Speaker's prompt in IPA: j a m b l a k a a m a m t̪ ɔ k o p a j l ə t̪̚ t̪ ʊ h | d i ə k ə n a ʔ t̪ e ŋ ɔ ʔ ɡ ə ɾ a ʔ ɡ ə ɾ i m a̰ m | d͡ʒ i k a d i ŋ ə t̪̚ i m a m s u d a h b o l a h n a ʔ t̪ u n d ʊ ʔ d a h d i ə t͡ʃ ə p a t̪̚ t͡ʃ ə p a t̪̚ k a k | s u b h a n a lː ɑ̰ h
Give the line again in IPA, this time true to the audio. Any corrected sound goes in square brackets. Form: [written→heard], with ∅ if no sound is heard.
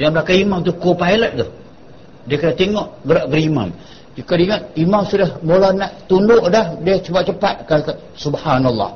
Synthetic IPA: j a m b l a k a [a→i] m a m t̪ [ɔ→u] k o p a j l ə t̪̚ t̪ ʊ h | d i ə k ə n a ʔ t̪ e ŋ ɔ ʔ ɡ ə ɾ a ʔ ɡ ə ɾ i m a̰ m | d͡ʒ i k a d i ŋ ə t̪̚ i m a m s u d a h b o l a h n a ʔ t̪ u n d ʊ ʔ d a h d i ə t͡ʃ ə p a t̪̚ t͡ʃ ə p a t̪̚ k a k | s u b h a n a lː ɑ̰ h